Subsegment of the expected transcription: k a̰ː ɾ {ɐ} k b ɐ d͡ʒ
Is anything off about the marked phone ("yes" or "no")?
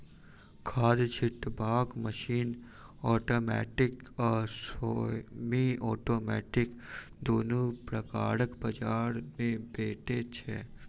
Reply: yes